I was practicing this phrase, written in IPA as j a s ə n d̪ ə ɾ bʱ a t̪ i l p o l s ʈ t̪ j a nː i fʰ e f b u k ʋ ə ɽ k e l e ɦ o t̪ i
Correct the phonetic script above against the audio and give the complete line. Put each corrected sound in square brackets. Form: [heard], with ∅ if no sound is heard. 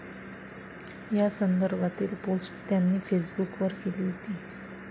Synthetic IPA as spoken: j a s ə n d̪ ə ɾ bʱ a t̪ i l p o l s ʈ t̪ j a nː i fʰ e [s] b u k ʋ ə [ɾ] k e l [i] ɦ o t̪ i

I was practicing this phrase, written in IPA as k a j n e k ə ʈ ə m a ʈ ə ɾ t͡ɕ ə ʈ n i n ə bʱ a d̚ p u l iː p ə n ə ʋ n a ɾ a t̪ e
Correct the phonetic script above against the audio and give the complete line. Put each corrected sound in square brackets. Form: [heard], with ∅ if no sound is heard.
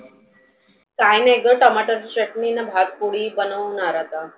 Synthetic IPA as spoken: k a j n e [ɡ] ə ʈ ə m a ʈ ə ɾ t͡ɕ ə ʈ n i n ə bʱ a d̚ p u [ɽ] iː [b] ə n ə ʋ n a ɾ a t̪ [a]

